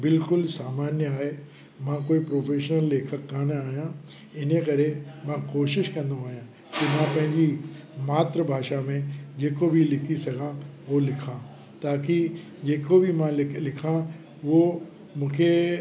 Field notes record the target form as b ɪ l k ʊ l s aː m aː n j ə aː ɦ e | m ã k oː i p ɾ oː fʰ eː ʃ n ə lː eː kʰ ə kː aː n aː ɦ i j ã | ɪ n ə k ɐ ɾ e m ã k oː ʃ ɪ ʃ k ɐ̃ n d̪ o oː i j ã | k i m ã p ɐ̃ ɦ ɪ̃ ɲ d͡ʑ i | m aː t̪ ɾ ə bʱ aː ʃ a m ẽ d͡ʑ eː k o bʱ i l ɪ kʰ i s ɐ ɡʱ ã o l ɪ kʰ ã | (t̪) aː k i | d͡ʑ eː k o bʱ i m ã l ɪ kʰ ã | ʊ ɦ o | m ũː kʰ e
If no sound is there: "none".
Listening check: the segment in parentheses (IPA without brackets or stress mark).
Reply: t̪